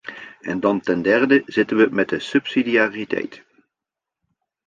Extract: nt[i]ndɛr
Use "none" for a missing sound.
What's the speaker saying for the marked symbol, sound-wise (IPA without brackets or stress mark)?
ɛ